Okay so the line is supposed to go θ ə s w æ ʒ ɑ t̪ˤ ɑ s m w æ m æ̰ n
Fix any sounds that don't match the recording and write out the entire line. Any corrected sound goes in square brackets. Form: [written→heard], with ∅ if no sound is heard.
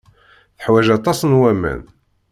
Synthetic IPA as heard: θ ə [s→ħ] w æ ʒ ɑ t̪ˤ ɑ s [m→n] w æ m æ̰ n